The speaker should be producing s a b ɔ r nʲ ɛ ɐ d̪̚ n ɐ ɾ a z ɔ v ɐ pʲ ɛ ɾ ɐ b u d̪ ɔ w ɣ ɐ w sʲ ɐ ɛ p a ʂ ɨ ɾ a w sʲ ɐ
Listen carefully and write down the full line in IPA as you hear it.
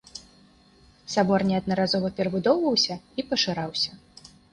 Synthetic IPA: s a b ɔ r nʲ ɛ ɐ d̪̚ n ɐ ɾ a z ɔ v ɐ pʲ ɛ ɾ ɐ b u d̪ ɔ w v ɐ w sʲ ɐ i p ɐ ʂ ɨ ɾ a w sʲ ɐ